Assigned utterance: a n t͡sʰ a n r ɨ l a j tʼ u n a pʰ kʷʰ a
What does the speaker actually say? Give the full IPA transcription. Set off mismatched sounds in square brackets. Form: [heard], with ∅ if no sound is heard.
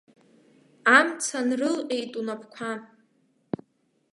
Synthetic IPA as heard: a [m] t͡sʰ a n r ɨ l [e] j tʼ u n a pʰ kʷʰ a